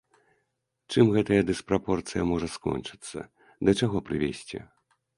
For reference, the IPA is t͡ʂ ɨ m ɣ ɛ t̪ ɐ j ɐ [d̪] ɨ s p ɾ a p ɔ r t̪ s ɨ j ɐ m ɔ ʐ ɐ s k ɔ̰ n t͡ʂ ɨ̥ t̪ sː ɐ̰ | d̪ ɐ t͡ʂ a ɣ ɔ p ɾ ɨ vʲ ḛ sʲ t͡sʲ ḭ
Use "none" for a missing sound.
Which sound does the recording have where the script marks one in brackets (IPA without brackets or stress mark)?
d̪